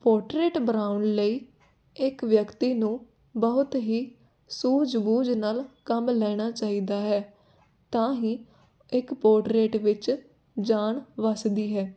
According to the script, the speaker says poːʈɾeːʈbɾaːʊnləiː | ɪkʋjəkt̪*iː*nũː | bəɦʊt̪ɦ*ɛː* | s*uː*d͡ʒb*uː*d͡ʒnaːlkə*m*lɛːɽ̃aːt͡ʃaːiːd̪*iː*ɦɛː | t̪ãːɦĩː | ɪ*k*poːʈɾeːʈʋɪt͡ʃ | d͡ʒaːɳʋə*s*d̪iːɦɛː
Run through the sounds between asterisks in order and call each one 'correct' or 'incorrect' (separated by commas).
correct, incorrect, correct, correct, correct, incorrect, correct, correct